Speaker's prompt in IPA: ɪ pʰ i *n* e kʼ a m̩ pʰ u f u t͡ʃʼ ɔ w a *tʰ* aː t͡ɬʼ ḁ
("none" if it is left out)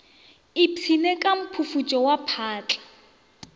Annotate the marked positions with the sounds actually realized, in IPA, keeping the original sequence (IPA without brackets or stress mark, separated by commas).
n, pʰ